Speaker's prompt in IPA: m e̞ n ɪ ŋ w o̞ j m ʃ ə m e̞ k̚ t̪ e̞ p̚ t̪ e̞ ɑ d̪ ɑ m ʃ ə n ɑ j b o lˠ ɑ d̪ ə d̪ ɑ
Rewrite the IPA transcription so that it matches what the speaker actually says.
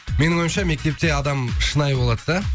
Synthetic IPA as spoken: m e̞ n ɪ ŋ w o̞ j m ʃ ɑ m e̞ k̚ t̪ e̞ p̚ t̪ e̞ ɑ d̪ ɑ m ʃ ə n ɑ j b o lˠ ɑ d̪ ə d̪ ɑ